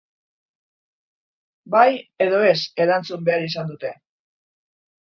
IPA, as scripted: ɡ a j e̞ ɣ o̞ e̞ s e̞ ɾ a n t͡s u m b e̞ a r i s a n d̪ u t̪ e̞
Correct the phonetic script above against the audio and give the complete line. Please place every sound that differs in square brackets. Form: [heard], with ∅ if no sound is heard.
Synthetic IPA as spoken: [b] a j e̞ [ð] o̞ e̞ s e̞ ɾ a n t͡s u m b e̞ a [ɾ] i s a n d̪ u t̪ e̞